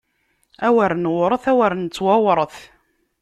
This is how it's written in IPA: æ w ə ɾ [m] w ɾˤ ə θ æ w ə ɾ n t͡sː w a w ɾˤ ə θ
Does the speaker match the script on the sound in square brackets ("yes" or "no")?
no